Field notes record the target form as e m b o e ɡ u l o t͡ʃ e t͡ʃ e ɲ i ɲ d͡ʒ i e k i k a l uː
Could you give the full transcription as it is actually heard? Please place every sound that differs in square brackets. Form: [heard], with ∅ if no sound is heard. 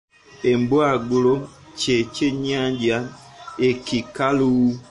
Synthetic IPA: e m b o [a] ɡ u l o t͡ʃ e t͡ʃ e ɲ [a] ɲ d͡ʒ [a] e k i k a l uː

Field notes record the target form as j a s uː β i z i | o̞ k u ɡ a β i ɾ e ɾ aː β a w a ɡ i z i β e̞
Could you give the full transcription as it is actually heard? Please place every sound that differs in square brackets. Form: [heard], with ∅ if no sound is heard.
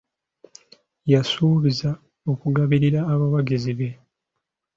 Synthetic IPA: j a s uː β i z [a] | o̞ k u ɡ a β i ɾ [i] ɾ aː β a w a ɡ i z i β e̞

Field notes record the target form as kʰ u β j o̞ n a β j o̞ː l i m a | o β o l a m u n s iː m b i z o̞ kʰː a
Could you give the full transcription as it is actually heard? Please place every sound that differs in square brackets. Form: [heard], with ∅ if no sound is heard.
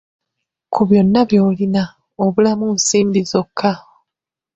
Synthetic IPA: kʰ u β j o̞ [nː] a β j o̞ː l i [n] a | o β [u] l a m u n s iː m b i z o̞ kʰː a

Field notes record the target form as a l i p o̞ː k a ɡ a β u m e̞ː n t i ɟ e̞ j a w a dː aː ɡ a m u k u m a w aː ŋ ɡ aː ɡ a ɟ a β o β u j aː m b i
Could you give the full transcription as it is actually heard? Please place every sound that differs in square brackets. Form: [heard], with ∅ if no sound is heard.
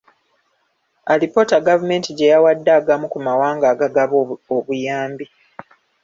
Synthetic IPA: a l i p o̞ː [t] a ɡ a [v] u m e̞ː n t i ɟ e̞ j a w a dː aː ɡ a m u k u m a w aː ŋ ɡ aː ɡ a [ɡ] a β o β u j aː m b i

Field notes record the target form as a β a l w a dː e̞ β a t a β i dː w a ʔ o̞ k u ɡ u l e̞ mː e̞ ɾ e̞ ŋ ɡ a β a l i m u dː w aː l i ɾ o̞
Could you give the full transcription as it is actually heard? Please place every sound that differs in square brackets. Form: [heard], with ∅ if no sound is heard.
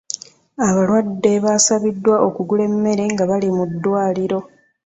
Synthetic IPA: a β a l w a dː e̞ β a [s] a β i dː w a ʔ o̞ k u ɡ u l e̞ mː e̞ ɾ e̞ ŋ ɡ a β a l i m u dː w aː l i ɾ o̞

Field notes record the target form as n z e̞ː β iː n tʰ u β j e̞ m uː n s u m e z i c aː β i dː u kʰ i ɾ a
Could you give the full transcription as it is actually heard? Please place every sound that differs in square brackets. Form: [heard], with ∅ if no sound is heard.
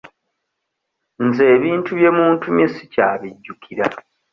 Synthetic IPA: n z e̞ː β iː n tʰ u β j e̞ m uː n [t] u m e [s] i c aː β i [ɟː] u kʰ i ɾ a

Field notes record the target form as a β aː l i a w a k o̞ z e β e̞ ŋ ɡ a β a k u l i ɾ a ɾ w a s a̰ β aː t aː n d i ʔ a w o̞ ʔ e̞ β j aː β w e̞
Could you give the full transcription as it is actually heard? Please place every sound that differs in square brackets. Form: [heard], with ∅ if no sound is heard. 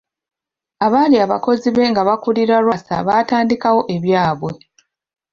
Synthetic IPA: a β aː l i a [β] a k o̞ z [i] β e̞ ŋ ɡ a β a k u l i ɾ a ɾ w a s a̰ β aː t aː n d i [k] a w o̞ ʔ e̞ β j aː β w e̞

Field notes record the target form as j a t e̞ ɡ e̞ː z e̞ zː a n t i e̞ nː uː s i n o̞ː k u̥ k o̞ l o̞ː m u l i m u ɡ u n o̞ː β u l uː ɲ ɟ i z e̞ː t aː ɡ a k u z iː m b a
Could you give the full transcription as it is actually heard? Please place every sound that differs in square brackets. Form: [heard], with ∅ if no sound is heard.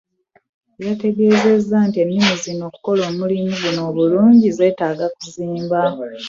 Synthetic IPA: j a t e̞ ɡ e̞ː z e̞ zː a n t i e̞ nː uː [z] i n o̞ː k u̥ k o̞ l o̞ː m u l i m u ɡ u n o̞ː β u l uː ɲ ɟ i z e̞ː t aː ɡ a k u z iː m b a

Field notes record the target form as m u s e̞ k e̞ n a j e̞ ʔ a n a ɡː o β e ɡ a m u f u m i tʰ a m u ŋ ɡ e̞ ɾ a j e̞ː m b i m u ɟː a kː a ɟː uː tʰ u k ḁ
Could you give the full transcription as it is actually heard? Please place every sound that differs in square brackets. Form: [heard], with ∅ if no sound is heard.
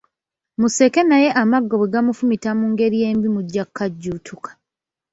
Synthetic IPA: m u s e̞ k e̞ n a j e̞ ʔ a [m] a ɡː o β e ɡ a m u f u m i [t] a m u ŋ ɡ e̞ ɾ [i] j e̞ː m b i m u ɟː a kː a ɟː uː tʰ u k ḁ

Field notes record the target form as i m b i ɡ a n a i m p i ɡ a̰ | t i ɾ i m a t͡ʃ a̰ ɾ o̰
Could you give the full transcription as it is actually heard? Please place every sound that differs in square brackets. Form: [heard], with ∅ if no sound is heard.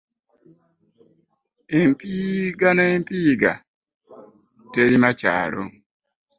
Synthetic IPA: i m [p] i ɡ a n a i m p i ɡ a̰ | t [e] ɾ i m a t͡ʃ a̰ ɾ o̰

